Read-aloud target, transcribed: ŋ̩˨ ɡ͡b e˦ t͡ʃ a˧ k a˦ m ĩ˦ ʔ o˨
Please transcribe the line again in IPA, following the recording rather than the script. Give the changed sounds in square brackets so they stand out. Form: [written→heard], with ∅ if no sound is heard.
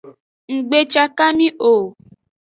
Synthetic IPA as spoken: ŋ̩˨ ɡ͡b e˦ t͡ʃ a˧ k a˦ m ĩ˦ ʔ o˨